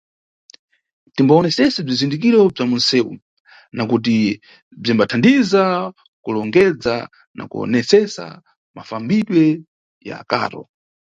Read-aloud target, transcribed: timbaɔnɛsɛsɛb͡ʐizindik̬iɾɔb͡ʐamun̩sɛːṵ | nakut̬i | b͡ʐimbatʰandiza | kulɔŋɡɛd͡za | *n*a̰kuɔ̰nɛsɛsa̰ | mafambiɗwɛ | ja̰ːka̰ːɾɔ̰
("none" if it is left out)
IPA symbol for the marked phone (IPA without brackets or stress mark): n